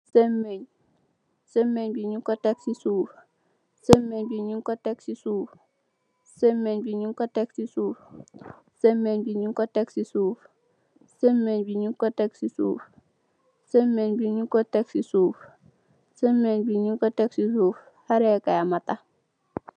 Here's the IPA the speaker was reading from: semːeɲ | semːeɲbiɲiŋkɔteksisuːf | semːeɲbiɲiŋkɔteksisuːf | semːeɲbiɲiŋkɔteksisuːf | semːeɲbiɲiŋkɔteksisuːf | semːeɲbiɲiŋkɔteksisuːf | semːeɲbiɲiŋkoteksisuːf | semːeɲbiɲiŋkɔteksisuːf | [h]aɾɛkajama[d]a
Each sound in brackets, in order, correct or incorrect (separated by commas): correct, incorrect